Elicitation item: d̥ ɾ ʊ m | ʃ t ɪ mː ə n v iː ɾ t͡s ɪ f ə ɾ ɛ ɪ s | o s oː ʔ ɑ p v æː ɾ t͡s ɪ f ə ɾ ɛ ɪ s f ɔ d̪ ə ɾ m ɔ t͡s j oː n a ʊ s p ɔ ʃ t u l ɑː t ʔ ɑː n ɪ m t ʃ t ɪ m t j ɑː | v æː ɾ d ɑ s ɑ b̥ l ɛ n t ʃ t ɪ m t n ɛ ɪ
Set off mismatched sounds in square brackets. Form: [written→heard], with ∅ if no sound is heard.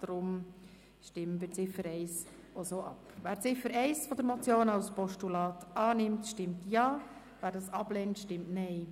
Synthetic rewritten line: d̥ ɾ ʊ m | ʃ t ɪ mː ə n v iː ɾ t͡s ɪ f ə ɾ ɛ ɪ s | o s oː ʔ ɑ p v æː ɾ t͡s ɪ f ə ɾ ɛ ɪ s f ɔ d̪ ə ɾ m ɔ t͡s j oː n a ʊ s p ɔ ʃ t u l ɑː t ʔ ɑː n ɪ m t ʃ t ɪ m t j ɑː | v æː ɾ d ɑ s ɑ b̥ l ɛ n t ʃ t ɪ m t n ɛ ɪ